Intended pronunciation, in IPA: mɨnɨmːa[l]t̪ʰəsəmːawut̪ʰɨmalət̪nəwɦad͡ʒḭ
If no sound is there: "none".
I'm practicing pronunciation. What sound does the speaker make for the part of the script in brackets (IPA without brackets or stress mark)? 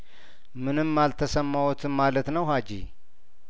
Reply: l